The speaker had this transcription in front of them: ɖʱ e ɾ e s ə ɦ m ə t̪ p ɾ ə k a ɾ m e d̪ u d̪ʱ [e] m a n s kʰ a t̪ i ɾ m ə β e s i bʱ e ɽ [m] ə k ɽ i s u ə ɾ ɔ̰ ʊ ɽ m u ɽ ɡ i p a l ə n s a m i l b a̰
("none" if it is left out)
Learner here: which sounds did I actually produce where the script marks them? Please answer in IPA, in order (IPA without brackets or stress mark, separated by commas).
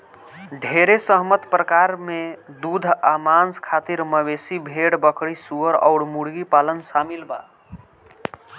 a, b